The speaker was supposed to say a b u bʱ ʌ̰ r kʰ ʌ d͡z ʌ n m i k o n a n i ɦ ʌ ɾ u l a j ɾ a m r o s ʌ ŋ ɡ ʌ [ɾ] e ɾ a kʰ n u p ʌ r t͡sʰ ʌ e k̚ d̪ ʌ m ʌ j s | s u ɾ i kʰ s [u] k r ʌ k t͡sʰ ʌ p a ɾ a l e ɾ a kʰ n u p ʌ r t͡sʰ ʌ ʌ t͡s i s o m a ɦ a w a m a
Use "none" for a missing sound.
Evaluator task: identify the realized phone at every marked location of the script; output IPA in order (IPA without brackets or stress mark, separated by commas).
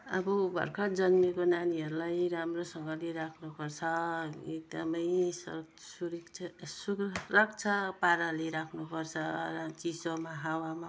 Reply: l, u